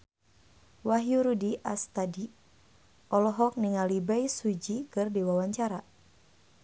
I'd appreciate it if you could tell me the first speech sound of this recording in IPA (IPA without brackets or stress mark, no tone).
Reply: w